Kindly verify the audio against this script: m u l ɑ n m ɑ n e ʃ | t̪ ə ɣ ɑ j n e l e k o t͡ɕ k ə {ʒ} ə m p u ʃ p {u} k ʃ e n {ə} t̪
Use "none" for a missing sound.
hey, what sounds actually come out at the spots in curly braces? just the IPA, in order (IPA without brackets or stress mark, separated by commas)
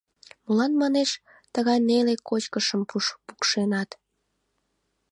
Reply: ʃ, u, ɑ